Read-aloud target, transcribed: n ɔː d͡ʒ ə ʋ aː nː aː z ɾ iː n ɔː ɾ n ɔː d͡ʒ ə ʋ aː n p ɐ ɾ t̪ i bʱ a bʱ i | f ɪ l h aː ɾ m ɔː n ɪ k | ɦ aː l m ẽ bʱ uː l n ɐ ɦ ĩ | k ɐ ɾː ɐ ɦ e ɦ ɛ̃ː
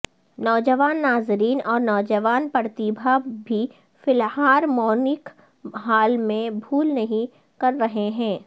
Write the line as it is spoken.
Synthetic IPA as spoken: n ɔː d͡ʒ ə ʋ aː nː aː z ɾ iː n ɔː ɾ n ɔː d͡ʒ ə ʋ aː n p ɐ ɾ t̪ i bʱ a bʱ i | f ɪ l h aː ɾ m ɔː n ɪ k | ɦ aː l m ẽ bʱ uː l n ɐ ɦ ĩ | k ɐ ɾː ɐ ɦ e ɦ ɛ̃ː